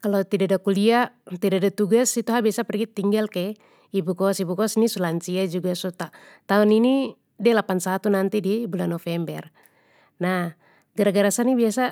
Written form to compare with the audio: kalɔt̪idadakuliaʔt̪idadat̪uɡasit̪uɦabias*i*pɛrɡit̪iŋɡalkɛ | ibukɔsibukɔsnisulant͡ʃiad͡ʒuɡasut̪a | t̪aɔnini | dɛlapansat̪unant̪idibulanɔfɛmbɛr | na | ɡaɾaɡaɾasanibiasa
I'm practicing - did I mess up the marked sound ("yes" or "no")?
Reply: yes